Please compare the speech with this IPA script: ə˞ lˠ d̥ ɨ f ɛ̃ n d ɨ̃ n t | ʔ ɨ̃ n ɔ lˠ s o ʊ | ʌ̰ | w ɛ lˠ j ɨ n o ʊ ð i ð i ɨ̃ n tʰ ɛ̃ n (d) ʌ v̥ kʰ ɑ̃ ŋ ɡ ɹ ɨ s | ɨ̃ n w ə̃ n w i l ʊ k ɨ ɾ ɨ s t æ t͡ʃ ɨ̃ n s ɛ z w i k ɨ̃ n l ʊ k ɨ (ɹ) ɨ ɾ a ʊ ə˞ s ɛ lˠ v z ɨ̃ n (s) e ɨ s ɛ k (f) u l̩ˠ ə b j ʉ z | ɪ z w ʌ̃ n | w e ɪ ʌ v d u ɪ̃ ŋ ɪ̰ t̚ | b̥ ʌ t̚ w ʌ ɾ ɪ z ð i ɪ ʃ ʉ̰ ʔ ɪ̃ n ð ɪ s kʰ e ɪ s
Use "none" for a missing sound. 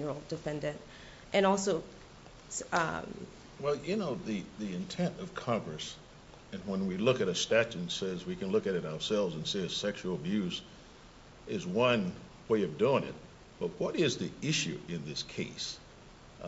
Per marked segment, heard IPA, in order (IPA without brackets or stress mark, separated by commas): t, ɾ, s, ʃ